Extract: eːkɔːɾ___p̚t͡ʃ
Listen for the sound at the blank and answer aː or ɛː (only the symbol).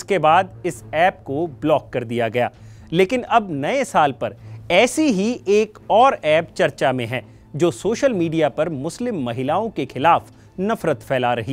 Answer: ɛː